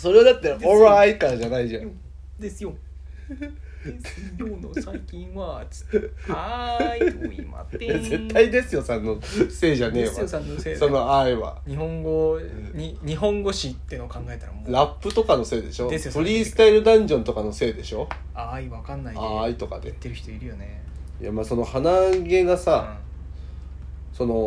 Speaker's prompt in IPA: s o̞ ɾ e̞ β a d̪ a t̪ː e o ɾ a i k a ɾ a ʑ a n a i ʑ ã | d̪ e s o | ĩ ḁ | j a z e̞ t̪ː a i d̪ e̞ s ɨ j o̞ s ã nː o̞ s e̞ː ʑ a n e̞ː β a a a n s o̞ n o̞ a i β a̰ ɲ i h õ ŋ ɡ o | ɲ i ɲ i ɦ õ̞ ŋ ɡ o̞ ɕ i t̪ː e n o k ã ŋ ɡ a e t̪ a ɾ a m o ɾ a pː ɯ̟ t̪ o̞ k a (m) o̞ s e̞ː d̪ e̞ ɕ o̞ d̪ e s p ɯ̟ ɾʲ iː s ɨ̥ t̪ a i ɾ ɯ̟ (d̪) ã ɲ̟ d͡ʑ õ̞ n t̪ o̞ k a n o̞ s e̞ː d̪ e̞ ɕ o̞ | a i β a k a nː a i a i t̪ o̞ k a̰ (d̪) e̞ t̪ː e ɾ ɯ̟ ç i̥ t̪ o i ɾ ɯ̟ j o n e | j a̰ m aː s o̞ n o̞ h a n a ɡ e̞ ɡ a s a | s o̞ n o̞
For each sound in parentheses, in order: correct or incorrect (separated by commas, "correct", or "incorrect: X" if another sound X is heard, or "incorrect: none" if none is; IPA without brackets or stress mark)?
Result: incorrect: n, correct, correct